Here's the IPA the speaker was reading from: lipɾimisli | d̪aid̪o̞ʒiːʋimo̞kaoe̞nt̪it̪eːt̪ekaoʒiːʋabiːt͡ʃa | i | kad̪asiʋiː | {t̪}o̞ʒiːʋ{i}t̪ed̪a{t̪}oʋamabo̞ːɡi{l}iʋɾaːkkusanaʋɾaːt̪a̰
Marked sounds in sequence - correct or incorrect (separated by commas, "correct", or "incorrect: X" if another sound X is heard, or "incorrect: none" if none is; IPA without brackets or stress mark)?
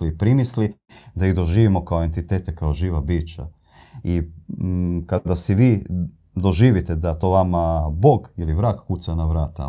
incorrect: d̪, correct, correct, correct